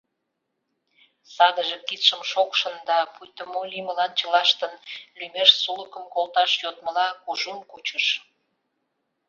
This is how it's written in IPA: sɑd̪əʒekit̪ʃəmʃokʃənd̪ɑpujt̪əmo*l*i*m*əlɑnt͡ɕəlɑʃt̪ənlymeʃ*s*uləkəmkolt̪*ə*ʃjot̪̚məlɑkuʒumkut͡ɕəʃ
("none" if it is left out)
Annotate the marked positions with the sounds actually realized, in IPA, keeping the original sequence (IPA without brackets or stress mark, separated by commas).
l, m, s, ɑ